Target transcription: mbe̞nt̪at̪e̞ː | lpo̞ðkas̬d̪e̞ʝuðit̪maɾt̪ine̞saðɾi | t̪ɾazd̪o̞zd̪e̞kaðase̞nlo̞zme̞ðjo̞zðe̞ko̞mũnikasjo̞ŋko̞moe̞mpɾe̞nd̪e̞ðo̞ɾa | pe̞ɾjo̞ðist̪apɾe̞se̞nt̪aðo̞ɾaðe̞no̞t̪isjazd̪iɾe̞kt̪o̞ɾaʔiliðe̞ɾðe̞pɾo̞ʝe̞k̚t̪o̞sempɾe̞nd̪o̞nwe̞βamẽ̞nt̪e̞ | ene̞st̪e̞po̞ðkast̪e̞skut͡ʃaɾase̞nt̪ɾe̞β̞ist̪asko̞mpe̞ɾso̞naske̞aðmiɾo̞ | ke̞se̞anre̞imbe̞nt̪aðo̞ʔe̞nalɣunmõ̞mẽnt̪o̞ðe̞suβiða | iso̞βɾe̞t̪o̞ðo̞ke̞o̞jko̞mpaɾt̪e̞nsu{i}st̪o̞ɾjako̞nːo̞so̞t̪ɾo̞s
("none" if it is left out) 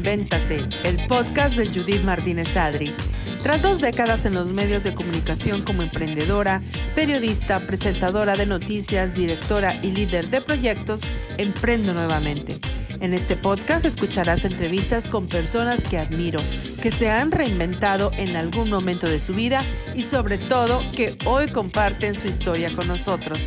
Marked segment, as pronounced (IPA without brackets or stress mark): i